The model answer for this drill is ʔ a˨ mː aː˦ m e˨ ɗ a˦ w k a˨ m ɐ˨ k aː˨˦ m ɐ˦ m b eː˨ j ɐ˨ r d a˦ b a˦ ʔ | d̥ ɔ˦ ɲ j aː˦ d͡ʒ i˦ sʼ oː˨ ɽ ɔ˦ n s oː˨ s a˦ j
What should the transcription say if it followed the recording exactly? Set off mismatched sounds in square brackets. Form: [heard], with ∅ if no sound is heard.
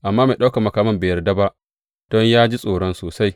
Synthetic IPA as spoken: ʔ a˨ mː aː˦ m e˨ ɗ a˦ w k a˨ m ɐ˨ k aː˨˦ m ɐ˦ m b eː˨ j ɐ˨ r d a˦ b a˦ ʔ | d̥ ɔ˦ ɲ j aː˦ d͡ʒ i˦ sʼ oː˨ ɽ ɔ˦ n s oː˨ s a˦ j